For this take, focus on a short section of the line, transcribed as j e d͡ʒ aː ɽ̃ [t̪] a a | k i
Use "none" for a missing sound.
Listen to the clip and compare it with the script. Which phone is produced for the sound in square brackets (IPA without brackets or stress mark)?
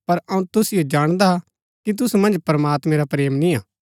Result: d̪